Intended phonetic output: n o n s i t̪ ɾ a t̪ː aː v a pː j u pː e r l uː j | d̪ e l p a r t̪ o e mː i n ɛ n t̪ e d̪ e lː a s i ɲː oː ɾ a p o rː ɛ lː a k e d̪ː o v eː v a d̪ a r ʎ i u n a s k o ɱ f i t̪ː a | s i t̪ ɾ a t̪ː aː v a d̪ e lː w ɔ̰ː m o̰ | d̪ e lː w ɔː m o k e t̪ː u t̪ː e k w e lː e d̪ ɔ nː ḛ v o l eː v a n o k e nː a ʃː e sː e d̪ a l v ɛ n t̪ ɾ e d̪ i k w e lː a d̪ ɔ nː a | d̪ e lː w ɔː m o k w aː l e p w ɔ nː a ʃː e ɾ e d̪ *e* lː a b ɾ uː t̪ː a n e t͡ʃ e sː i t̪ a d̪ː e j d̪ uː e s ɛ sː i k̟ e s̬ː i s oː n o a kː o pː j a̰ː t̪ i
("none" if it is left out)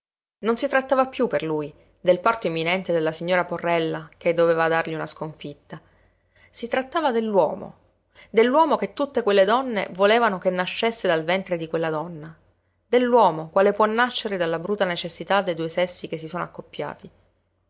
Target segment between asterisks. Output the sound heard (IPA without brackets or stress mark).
a